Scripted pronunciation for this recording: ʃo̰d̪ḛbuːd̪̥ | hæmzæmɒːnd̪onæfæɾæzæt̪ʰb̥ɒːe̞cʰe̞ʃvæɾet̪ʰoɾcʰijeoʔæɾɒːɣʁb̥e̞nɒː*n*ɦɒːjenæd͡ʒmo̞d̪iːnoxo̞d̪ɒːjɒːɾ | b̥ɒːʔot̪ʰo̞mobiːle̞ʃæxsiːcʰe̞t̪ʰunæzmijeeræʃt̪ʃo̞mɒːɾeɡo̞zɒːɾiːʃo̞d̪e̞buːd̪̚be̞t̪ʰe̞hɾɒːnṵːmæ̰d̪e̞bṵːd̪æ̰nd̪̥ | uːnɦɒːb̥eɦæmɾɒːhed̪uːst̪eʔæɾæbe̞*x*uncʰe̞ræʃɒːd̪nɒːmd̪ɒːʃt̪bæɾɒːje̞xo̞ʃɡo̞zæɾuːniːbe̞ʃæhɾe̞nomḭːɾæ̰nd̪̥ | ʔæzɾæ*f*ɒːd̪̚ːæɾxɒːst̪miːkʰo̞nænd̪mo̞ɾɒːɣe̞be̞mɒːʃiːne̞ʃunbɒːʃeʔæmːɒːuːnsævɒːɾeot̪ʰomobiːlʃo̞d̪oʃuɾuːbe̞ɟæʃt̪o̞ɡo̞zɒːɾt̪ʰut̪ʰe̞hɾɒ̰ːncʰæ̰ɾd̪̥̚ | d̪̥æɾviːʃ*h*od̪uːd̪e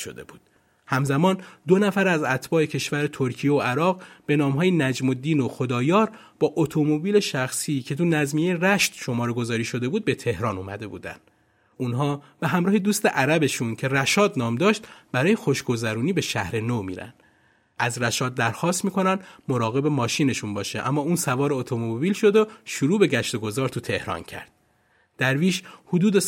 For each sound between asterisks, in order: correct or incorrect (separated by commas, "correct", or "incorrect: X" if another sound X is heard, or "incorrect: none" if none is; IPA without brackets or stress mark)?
incorrect: m, incorrect: ʃ, incorrect: ʃ, correct